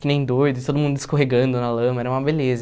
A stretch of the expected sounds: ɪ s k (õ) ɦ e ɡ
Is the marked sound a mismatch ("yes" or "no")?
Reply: yes